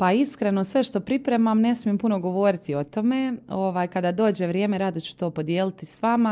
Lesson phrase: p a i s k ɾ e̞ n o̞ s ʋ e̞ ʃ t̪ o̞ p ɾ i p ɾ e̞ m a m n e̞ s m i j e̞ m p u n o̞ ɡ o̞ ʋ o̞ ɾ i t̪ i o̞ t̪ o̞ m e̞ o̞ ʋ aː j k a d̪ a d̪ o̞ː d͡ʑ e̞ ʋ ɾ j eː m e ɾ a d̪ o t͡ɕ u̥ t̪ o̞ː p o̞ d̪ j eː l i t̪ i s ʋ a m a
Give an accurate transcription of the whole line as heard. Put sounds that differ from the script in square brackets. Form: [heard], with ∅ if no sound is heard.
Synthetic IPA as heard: p a i s k ɾ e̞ n o̞ s ʋ e̞ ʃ t̪ o̞ p ɾ i p ɾ e̞ m a m n e̞ s m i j e̞ m p u n o̞ ɡ o̞ ʋ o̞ ɾ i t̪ i o̞ t̪ o̞ m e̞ o̞ ʋ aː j k a d̪ a d̪ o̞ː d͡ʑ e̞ ʋ ɾ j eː m e ɾ a d̪ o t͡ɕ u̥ t̪ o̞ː p o̞ d̪ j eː l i t̪ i s ʋ a m a